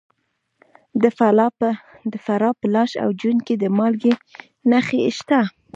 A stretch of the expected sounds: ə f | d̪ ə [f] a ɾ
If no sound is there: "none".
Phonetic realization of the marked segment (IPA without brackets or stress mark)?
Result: f